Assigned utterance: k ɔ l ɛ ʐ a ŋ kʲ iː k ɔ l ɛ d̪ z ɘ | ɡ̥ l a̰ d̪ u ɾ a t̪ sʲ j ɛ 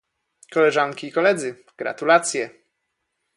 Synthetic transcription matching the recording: k ɔ l ɛ ʐ a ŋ kʲ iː k ɔ l ɛ d̪ z ɘ | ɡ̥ ɾ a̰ t̪ u l a t̪ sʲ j ɛ